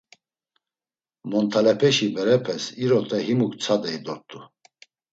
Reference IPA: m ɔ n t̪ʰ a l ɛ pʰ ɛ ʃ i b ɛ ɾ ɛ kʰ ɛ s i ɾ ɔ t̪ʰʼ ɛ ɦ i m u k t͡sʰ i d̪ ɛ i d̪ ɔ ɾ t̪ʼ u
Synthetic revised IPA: m ɔ n t̪ʰ a l ɛ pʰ ɛ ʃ i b ɛ ɾ ɛ pʰ ɛ s i ɾ ɔ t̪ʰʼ ɛ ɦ i m u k t͡sʰ a d̪ ɛ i d̪ ɔ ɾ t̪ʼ u